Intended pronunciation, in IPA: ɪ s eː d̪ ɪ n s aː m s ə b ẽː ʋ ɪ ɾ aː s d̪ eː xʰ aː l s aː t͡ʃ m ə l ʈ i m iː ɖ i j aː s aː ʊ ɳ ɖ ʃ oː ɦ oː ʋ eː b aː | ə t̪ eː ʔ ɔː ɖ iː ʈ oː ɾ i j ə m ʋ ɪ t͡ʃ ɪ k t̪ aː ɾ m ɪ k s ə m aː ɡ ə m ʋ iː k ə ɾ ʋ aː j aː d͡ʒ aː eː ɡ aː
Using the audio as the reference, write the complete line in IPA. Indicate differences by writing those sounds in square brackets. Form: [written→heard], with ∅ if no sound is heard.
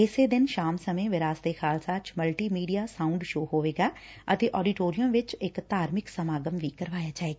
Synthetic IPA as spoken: ɪ s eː d̪ ɪ n [s→ʃ] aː m s ə [b→m] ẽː ʋ ɪ ɾ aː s d̪ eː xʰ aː l s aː t͡ʃ m ə l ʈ [i→iː] m iː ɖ i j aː s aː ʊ ɳ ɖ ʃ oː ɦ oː ʋ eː [b→ɡ] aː | ə t̪ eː ʔ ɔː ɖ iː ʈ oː ɾ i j ə m ʋ ɪ t͡ʃ ɪ k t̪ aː ɾ m ɪ k s ə m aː ɡ ə m ʋ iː k ə ɾ ʋ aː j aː d͡ʒ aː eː ɡ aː